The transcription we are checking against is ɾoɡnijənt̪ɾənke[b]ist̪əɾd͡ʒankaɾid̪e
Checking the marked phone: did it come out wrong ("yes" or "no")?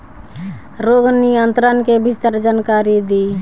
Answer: no